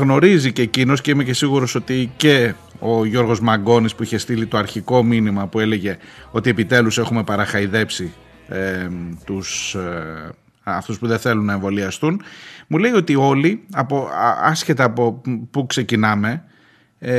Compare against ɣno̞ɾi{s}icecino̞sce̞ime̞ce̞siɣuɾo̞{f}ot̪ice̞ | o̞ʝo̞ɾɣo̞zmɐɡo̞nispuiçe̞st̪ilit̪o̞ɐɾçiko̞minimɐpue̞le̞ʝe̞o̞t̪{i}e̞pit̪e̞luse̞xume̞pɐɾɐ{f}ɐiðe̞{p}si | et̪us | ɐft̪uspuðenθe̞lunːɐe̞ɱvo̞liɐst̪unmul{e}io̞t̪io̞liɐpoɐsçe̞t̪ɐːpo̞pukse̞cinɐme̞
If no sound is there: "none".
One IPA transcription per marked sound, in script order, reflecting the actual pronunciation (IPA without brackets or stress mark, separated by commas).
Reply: z, s, i, x, p, e